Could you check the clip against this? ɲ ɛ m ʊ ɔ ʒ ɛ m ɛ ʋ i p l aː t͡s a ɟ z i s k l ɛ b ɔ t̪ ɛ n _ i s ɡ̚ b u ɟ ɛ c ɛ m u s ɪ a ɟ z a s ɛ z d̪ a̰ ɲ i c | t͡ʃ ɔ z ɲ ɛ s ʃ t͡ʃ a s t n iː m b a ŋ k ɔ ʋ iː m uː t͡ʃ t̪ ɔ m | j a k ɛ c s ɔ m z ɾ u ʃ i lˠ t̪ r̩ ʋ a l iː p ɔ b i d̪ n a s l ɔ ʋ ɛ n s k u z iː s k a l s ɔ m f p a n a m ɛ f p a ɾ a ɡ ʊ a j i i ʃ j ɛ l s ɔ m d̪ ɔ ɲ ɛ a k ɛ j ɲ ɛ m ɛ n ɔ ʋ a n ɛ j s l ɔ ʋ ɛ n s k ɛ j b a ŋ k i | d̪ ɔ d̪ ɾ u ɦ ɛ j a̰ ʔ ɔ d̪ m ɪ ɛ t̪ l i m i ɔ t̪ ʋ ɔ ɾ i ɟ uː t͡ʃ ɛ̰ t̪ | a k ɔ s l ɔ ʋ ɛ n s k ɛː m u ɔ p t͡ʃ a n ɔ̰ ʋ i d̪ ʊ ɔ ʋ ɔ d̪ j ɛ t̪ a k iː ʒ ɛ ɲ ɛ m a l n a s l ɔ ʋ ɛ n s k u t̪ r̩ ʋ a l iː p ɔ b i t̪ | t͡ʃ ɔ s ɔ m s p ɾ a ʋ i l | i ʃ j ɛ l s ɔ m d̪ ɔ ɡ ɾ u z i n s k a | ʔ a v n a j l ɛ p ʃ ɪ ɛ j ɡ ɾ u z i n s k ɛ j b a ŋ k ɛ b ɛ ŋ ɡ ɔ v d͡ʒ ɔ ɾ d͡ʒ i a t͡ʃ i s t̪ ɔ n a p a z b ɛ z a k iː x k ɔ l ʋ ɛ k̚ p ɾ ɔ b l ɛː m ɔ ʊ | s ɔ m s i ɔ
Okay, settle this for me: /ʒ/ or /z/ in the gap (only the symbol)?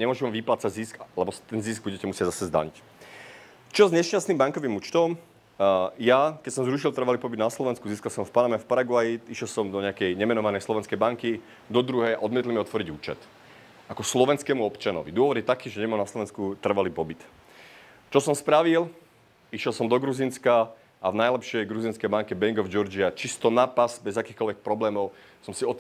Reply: z